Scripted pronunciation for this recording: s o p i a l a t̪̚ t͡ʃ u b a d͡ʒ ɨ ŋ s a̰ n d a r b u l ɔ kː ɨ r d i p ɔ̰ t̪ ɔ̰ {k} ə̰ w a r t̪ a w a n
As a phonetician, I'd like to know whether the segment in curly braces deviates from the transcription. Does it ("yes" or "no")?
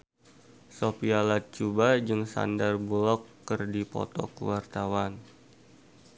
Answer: no